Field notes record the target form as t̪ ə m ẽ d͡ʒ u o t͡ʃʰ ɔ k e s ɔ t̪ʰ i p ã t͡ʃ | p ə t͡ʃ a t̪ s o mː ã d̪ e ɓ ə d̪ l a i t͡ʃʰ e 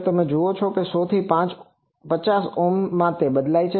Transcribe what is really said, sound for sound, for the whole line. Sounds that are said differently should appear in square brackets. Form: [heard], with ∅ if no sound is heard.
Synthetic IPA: t̪ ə m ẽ d͡ʒ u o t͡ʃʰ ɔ k e s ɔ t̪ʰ i p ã t͡ʃ | p ə t͡ʃ a [∅] s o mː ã [t̪] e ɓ ə d̪ l a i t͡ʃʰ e